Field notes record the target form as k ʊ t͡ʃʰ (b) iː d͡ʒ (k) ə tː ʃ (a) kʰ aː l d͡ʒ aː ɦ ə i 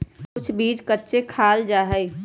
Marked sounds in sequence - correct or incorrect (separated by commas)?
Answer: correct, correct, incorrect